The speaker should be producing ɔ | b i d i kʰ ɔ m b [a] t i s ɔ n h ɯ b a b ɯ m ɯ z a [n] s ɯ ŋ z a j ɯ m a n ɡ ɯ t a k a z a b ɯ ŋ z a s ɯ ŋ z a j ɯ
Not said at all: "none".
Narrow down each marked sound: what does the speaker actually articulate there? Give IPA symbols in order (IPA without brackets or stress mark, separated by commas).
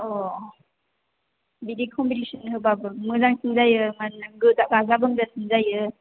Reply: i, ŋ